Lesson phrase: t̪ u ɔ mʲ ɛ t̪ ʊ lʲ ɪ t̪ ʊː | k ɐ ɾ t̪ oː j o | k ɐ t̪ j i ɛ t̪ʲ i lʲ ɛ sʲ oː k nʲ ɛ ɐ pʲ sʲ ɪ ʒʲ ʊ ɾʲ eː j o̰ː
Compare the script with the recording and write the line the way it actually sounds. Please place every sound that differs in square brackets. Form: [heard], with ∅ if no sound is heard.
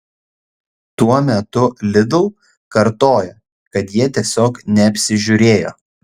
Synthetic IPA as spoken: t̪ u ɔ mʲ ɛ t̪ ʊ lʲ ɪ [d̪] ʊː | k ɐ ɾ t̪ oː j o | k ɐ t̪ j i ɛ t̪ʲ i [∅] ɛ sʲ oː k nʲ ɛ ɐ pʲ sʲ ɪ ʒʲ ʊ ɾʲ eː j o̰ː